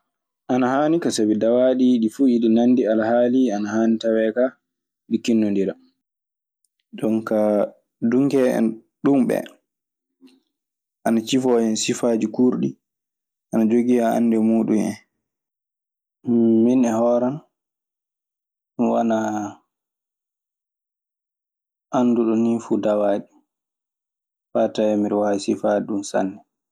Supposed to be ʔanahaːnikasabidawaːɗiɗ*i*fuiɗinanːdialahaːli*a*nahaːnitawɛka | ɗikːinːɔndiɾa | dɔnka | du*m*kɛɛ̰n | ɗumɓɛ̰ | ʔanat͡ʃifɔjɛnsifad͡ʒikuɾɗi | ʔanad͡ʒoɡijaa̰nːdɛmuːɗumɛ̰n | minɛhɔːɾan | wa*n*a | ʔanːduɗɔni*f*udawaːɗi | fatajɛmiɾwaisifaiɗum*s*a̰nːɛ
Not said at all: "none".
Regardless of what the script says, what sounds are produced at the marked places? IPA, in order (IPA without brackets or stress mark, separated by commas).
i, a, ŋ, n, f, s